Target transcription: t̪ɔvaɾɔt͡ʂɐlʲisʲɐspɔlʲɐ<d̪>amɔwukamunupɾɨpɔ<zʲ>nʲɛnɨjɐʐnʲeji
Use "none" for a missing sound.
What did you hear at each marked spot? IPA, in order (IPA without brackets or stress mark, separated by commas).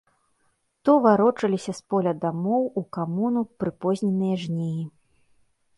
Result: d̪, zʲ